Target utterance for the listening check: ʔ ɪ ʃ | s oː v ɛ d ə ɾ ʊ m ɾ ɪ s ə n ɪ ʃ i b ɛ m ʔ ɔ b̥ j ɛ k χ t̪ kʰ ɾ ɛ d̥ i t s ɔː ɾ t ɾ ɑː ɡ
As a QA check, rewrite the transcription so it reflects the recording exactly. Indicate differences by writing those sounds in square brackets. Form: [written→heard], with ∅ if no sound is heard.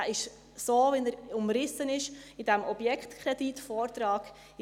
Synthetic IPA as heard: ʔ ɪ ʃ | s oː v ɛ [d→n] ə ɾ ʊ m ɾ ɪ s ə n ɪ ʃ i [b→d] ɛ m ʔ ɔ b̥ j ɛ k χ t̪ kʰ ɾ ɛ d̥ i t [s→f] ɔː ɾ t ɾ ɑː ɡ